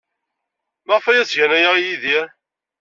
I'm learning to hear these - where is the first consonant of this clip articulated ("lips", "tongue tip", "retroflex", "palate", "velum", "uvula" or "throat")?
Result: lips